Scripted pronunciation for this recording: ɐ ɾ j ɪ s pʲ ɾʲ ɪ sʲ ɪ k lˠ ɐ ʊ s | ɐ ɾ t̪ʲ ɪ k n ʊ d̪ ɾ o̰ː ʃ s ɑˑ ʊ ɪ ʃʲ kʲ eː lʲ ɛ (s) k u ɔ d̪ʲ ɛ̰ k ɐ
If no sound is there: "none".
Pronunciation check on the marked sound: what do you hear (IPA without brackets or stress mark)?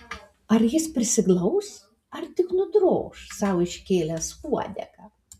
s